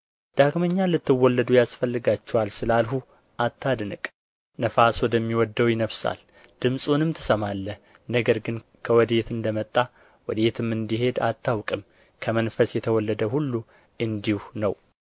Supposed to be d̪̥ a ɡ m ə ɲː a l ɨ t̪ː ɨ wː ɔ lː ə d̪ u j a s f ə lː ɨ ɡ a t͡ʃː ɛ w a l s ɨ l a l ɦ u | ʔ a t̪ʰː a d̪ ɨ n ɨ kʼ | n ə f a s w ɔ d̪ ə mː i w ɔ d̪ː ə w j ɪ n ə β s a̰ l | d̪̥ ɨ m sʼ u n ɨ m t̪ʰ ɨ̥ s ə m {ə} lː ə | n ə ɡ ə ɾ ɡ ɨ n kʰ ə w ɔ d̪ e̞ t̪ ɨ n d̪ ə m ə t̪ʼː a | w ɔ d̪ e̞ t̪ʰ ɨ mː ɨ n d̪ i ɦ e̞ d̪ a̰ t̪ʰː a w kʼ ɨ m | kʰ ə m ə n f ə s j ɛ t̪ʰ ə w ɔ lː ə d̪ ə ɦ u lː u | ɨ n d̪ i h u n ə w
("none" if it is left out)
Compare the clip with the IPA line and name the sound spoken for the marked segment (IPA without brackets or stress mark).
a